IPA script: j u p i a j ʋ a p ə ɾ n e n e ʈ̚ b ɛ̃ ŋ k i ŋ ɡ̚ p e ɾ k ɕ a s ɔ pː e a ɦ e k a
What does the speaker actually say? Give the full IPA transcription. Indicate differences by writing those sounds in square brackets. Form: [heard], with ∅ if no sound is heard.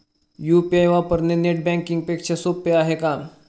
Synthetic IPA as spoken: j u p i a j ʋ a p ə ɾ n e n e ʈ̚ b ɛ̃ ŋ k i ŋ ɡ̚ p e [∅] k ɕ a s [o] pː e a ɦ e k a